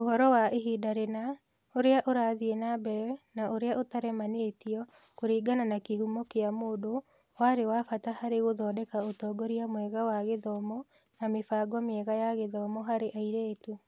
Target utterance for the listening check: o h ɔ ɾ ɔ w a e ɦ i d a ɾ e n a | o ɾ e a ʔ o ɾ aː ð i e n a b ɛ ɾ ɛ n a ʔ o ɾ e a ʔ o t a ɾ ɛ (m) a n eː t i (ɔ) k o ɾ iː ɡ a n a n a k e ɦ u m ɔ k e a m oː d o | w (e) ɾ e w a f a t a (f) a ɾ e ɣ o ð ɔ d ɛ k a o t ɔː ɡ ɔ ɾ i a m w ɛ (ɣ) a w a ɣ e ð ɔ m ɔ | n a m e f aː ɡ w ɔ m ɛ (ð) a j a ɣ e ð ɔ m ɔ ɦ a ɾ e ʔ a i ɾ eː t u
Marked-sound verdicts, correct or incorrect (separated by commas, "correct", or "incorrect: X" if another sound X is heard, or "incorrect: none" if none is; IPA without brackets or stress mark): correct, correct, incorrect: a, incorrect: h, correct, incorrect: ɣ